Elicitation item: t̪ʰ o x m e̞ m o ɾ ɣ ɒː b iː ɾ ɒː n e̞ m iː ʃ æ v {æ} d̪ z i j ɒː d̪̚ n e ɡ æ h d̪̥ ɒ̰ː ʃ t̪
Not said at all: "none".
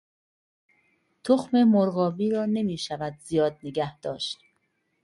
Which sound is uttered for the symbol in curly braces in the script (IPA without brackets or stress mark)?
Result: æ